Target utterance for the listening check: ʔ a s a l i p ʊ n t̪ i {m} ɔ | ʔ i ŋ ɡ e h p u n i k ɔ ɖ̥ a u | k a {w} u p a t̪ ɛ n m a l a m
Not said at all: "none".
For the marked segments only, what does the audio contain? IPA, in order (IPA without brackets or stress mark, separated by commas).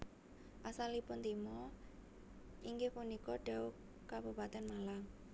m, b